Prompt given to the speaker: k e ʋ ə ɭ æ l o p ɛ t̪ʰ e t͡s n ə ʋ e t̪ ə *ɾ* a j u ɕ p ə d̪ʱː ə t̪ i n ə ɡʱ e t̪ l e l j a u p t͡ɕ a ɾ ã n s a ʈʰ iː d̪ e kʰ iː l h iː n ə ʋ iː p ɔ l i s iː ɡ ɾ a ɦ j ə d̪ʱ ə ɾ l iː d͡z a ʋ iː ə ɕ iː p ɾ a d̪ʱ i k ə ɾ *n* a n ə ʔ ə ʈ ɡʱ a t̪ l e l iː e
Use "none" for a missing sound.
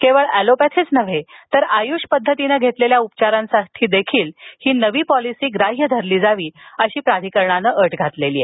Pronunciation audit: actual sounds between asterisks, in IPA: ɾ, ɳ

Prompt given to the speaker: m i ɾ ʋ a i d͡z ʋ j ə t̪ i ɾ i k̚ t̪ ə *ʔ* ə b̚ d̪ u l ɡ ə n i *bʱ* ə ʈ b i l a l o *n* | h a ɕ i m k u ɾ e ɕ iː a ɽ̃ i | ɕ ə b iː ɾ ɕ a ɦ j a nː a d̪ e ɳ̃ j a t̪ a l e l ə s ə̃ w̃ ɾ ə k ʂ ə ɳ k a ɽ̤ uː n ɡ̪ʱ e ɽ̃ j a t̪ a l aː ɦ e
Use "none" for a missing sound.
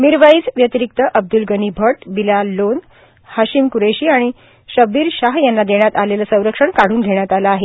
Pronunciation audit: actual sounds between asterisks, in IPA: ʔ, bʱ, n

